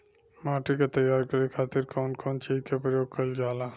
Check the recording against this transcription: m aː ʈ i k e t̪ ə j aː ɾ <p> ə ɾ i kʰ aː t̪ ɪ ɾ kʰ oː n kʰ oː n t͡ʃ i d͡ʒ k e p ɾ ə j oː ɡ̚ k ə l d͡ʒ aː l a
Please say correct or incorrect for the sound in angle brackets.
incorrect: k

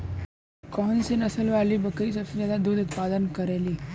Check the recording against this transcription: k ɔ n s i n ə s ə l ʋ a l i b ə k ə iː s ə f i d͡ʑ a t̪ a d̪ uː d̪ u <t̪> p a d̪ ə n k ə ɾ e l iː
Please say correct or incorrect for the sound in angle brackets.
correct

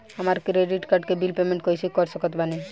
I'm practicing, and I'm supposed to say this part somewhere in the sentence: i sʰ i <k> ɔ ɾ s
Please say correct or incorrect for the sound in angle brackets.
correct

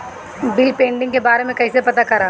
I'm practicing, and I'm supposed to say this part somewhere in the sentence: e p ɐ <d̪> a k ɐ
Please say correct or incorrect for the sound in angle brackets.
incorrect: t̪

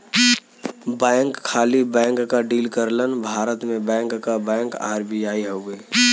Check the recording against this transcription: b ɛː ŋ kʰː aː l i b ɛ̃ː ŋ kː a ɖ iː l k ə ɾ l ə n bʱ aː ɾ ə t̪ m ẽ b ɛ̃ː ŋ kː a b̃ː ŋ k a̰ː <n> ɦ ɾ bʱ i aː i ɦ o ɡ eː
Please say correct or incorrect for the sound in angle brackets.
incorrect: none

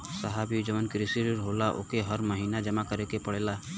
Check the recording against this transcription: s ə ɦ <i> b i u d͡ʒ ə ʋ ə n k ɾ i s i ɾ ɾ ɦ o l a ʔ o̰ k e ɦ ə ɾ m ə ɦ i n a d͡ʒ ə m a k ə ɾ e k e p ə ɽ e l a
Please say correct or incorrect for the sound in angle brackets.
incorrect: a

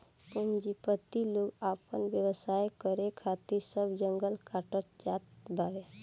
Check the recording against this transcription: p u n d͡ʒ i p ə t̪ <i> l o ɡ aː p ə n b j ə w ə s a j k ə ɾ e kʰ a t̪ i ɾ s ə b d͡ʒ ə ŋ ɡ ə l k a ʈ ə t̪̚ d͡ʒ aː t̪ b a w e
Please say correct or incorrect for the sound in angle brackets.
correct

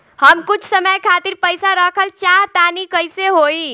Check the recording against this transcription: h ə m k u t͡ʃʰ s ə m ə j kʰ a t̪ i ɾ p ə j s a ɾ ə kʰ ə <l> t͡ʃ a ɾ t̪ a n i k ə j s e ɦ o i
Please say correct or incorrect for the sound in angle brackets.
correct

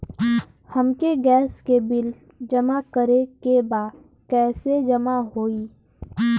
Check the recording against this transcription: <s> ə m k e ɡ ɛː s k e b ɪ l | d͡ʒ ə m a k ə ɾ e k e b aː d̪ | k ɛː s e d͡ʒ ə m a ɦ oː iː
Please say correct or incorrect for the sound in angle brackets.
incorrect: h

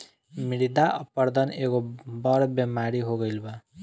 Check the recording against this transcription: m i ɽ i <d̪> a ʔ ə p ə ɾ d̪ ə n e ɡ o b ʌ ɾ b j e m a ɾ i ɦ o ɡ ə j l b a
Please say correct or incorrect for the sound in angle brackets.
correct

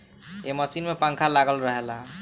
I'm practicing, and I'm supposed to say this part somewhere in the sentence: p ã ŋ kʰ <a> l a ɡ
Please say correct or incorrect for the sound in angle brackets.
correct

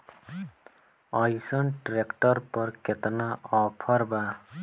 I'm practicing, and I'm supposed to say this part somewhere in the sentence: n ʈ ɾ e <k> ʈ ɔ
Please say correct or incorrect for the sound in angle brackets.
correct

